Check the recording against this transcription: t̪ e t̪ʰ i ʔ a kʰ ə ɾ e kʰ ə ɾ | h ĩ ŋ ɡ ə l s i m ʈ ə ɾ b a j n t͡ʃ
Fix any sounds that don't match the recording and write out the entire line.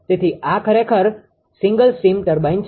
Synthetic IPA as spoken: t̪ e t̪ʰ i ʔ a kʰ ə ɾ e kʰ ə ɾ | s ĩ ŋ ɡ ə l s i m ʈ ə ɾ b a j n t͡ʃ